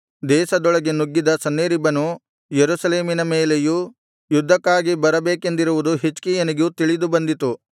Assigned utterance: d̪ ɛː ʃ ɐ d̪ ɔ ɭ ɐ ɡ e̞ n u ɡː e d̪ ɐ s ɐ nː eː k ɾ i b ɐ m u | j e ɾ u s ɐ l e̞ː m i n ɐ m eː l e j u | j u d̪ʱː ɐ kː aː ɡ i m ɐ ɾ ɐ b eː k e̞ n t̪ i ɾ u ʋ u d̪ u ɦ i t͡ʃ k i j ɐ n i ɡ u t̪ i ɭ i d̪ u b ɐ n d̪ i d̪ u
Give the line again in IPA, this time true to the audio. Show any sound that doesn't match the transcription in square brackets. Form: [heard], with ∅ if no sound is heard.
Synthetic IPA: d̪ ɛː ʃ ɐ d̪ ɔ ɭ ɐ ɡ e̞ n u ɡː [i] d̪ ɐ s ɐ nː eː [∅] ɾ i b ɐ [n] u | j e ɾ u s ɐ l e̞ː m i n ɐ m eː l e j u | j u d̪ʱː ɐ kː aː ɡ i [b] ɐ ɾ ɐ b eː k e̞ n [d̪] i ɾ u ʋ u d̪ u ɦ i t͡ʃ k i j ɐ n i ɡ u t̪ i ɭ i d̪ u b ɐ n d̪ i [t̪] u